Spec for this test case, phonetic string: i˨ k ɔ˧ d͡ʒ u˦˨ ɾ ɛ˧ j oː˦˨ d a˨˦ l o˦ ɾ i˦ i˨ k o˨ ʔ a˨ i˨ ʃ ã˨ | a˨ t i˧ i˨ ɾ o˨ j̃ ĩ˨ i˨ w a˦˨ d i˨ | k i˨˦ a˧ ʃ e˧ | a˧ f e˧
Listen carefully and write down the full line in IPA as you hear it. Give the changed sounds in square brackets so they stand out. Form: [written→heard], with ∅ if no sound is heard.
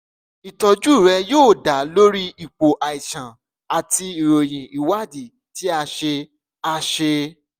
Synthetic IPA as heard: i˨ [k→t] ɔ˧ d͡ʒ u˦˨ ɾ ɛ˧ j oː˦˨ d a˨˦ l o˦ ɾ i˦ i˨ [k→k͡p] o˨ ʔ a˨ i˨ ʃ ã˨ | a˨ t i˧ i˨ ɾ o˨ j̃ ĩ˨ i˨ w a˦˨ d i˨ | [k→t] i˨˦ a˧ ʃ e˧ | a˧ [f→ʃ] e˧